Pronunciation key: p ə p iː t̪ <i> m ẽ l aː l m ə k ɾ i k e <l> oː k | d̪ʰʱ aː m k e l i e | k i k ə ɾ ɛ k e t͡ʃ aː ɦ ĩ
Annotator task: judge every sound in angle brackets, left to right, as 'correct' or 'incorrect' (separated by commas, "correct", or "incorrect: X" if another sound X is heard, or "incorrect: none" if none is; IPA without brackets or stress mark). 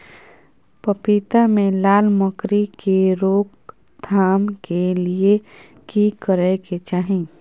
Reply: incorrect: a, incorrect: ɾ